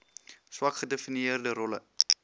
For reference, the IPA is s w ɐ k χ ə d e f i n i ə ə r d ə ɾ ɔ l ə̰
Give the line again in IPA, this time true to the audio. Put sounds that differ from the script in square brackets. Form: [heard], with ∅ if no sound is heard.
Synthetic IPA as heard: s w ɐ k χ ə d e f i n i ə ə r d ə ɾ ɔ l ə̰